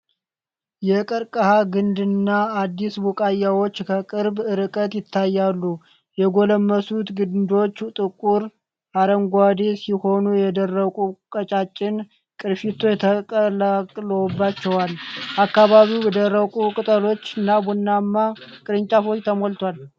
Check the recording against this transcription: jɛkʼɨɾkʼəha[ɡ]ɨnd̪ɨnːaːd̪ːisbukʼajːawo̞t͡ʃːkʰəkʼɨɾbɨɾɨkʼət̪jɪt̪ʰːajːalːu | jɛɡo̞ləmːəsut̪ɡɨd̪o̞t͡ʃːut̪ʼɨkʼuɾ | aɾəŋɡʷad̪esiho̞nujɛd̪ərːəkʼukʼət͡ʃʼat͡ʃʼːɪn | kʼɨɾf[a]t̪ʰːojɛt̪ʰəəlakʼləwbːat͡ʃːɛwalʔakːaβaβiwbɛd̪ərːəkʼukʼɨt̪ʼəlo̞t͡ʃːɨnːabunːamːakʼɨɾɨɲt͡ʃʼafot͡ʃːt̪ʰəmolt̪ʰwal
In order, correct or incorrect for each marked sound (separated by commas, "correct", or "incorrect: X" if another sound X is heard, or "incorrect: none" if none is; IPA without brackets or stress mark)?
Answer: correct, incorrect: i